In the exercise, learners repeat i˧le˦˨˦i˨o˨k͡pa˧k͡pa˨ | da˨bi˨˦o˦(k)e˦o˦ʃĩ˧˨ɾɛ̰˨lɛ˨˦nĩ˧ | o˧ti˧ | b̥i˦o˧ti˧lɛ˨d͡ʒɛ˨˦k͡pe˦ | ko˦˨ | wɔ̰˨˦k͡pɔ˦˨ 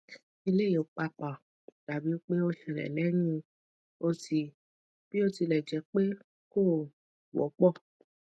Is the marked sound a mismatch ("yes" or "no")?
yes